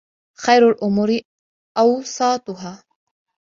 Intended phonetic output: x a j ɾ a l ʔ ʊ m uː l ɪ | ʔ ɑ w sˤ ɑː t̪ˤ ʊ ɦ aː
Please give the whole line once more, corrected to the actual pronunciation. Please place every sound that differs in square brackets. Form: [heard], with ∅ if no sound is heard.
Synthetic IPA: x a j ɾ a l ʔ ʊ m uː [ɾ] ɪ | ʔ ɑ w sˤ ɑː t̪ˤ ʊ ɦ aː